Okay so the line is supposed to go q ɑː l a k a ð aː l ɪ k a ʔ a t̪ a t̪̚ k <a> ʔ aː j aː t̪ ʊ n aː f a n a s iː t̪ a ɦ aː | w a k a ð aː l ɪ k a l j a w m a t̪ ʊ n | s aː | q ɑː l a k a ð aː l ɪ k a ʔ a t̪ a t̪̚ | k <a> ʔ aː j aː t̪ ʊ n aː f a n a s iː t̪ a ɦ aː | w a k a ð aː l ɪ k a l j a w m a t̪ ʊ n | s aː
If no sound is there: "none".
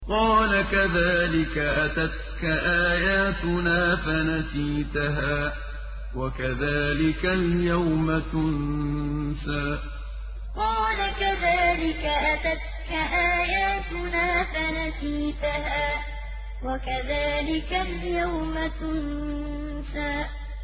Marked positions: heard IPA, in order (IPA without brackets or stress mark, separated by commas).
a, a